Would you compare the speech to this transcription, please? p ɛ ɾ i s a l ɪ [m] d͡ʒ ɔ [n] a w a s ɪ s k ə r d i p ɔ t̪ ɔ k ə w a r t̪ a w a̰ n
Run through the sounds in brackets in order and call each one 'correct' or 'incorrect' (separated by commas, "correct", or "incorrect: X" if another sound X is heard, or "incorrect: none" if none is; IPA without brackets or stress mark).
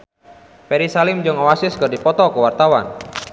correct, incorrect: ŋ